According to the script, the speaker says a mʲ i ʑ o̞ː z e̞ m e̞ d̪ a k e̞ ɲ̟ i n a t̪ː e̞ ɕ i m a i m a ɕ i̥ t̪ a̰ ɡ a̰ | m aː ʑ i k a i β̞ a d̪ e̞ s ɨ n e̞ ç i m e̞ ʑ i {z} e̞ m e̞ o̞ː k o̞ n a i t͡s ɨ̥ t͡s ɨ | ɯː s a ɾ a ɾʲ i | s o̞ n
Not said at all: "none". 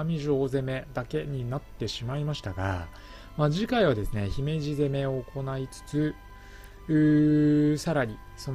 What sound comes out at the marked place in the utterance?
z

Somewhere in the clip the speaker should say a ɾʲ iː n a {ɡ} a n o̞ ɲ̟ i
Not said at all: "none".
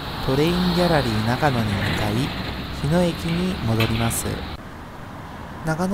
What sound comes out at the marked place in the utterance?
k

